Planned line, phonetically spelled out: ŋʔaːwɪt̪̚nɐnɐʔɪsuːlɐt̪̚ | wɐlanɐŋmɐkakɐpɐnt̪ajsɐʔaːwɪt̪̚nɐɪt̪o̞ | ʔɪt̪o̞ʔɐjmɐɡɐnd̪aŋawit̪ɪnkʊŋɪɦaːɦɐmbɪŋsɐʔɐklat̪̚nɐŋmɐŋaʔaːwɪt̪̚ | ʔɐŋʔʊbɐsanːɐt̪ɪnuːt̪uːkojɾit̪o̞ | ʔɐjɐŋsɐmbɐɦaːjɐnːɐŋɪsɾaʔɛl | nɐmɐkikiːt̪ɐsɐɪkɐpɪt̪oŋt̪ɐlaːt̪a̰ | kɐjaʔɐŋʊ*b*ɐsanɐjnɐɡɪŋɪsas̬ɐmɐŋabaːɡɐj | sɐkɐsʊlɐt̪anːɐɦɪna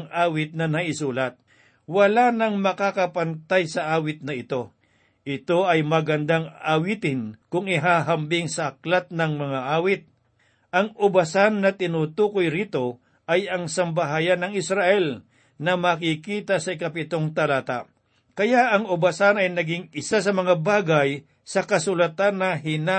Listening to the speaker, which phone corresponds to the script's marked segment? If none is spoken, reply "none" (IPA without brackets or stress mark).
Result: b